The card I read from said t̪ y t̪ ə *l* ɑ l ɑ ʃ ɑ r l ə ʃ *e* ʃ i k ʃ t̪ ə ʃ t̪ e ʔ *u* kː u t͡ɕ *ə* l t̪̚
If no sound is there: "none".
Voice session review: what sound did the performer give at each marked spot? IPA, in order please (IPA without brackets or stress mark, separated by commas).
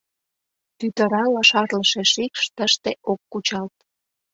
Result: ɾ, e, o, ɑ